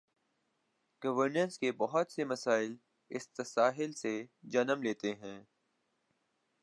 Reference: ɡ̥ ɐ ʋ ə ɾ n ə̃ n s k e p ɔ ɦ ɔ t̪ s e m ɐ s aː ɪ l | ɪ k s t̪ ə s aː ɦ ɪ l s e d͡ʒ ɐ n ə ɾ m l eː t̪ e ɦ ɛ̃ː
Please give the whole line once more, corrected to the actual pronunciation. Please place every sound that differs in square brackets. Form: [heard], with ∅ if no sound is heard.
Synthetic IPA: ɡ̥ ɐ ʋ ə ɾ n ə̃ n s k e [b] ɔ ɦ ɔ t̪ s e m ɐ s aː ɪ l | ɪ [∅] s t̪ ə s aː ɦ ɪ l s e d͡ʒ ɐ n ə [∅] m l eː t̪ e ɦ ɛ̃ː